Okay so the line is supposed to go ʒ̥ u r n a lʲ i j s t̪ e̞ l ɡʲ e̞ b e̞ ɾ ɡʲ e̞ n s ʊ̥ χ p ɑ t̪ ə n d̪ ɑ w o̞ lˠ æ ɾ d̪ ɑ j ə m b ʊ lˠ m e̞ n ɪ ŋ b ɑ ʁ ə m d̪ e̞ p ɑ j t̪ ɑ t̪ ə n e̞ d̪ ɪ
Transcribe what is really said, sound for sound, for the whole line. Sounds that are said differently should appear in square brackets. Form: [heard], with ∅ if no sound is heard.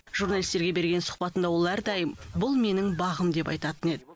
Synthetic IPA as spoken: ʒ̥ u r n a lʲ i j s t̪ e̞ [ɾ] ɡʲ e̞ b e̞ ɾ ɡʲ e̞ n s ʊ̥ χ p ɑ t̪ ə n d̪ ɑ w o̞ lˠ æ ɾ d̪ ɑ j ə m b ʊ lˠ m e̞ n ɪ ŋ b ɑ ʁ ə m d̪ e̞ p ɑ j t̪ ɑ t̪ ə n e̞ d̪ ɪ